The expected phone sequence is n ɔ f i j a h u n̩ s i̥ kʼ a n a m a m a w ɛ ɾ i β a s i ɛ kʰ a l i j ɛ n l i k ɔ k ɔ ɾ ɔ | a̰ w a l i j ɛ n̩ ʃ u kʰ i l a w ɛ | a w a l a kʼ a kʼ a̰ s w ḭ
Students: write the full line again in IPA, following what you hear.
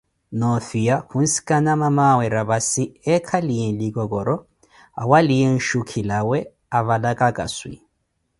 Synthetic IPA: n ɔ f i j a h u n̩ s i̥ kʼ a n a m a m a w ɛ ɾ a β a s i ɛ kʰ a l i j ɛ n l i k ɔ k ɔ ɾ ɔ | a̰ w a l i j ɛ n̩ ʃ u kʰ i l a w ɛ | a β a l a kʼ a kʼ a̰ s w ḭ